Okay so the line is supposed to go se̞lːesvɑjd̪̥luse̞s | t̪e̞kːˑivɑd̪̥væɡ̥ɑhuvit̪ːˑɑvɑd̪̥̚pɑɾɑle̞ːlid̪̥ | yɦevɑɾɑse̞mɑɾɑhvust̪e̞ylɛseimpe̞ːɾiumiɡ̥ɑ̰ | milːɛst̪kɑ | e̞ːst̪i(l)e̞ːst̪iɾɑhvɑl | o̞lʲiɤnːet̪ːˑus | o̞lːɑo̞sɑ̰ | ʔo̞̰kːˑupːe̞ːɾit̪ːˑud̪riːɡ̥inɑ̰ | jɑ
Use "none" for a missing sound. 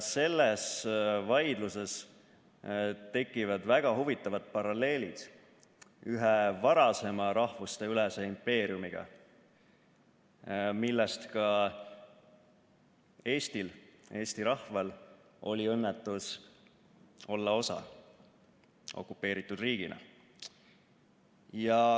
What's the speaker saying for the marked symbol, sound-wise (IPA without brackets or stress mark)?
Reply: l